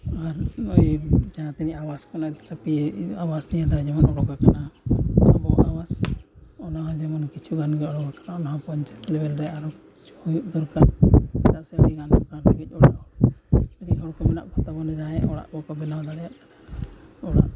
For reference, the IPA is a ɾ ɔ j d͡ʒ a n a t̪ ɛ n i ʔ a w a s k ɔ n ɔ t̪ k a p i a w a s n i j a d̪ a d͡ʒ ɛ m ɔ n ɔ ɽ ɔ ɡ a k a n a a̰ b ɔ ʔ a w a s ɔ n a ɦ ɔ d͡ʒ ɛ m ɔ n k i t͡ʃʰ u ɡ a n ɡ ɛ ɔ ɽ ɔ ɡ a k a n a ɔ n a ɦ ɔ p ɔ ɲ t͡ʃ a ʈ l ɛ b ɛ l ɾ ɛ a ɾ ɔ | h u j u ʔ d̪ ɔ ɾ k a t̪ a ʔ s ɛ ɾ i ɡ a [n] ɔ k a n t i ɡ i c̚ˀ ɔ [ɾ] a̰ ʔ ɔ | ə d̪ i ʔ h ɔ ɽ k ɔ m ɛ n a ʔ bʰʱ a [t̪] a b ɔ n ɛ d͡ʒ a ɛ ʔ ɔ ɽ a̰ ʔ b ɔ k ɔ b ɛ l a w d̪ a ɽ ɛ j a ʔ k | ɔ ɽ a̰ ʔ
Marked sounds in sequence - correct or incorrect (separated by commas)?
correct, incorrect, correct